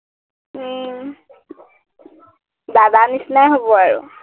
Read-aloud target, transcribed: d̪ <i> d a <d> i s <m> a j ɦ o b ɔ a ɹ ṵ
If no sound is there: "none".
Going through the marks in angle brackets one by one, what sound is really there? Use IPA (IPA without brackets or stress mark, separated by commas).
a, n, n